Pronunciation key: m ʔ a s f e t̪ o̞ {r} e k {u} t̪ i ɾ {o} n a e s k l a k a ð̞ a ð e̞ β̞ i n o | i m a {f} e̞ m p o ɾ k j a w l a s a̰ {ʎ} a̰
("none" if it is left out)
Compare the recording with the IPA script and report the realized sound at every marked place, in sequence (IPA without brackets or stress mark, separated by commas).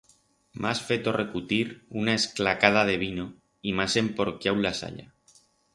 r, u, u, s, ʎ